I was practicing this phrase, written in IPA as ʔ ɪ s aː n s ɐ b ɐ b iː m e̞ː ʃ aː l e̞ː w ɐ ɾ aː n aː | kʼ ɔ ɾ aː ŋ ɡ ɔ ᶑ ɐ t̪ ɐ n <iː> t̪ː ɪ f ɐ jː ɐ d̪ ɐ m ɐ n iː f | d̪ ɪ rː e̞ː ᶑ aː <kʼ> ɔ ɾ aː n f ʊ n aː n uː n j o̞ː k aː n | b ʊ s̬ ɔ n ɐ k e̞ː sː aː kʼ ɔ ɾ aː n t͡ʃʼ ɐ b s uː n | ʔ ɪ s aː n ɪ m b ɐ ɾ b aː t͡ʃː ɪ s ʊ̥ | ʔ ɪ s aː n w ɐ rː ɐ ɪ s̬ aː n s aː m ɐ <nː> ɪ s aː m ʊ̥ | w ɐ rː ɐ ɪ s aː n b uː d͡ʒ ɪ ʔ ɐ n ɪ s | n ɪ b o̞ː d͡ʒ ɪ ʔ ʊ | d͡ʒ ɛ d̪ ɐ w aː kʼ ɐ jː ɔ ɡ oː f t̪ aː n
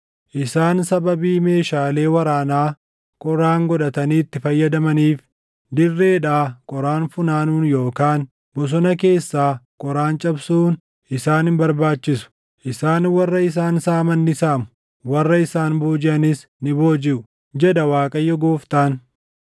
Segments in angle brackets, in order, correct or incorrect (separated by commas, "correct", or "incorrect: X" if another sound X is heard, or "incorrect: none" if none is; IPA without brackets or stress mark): correct, correct, correct